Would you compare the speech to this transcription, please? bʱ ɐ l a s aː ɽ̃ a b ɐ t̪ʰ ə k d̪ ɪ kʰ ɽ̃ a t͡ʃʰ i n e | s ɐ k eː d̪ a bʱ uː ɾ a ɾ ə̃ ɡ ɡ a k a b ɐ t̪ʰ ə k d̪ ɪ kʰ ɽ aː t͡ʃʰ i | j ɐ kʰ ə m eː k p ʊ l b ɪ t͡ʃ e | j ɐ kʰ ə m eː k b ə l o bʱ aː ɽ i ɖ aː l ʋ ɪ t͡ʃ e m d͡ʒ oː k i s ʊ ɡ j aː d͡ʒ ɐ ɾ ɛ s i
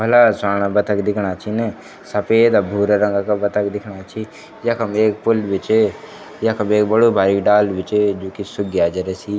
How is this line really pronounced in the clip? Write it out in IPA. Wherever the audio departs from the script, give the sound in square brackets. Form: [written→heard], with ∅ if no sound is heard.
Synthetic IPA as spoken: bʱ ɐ l a s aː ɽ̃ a b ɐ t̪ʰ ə k d̪ ɪ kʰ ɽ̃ a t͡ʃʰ i n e | s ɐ [k→p] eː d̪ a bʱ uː ɾ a ɾ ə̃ [ɡ→ŋ] ɡ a k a b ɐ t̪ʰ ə k d̪ ɪ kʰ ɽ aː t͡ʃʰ i | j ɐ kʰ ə m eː k p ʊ l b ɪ t͡ʃ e | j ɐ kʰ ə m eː k b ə [l→ɽ] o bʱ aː [ɽ→ɾ] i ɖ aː l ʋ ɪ t͡ʃ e [m→∅] d͡ʒ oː k i s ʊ ɡ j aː d͡ʒ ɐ ɾ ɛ s i